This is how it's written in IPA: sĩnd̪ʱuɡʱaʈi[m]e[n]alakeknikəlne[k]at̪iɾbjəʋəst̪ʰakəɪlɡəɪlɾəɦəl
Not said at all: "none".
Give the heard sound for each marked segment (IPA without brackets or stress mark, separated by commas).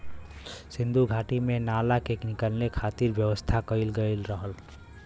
m, n, kʰ